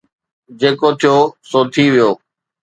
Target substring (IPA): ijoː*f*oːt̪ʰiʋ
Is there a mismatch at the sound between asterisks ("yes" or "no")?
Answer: yes